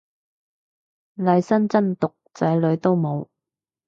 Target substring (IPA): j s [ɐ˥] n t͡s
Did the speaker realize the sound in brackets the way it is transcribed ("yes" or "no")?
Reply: yes